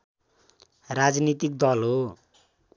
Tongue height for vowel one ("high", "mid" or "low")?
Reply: low